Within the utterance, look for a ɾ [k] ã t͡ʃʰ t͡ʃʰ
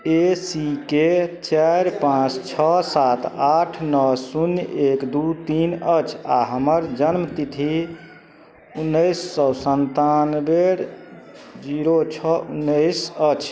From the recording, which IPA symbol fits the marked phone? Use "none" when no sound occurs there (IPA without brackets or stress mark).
p